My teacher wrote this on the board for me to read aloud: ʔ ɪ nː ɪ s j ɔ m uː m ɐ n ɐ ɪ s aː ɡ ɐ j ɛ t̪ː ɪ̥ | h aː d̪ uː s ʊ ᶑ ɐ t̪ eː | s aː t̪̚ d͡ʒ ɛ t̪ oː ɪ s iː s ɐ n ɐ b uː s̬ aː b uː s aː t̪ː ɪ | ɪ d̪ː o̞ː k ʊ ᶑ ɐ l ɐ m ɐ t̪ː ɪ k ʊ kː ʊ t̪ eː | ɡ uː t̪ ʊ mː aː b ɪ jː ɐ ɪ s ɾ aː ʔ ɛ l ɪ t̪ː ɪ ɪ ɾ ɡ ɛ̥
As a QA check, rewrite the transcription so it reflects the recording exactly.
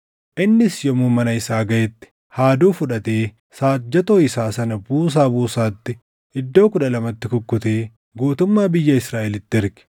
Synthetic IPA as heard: ʔ ɪ nː ɪ s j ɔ m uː m ɐ n ɐ ɪ s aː ɡ ɐ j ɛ t̪ː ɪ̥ | h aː d̪ uː f ʊ ᶑ ɐ t̪ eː | s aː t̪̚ d͡ʒ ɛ t̪ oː ɪ s aː s ɐ n ɐ b uː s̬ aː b uː s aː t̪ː ɪ | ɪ d̪ː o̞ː k ʊ ᶑ ɐ l ɐ m ɐ t̪ː ɪ k ʊ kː ʊ t̪ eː | ɡ uː t̪ ʊ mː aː b ɪ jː ɐ ɪ s ɾ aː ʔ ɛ l ɪ t̪ː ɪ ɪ ɾ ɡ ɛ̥